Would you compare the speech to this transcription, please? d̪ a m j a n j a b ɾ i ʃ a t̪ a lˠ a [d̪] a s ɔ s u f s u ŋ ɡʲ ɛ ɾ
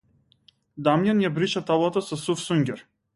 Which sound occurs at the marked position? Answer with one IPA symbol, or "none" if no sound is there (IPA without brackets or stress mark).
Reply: t̪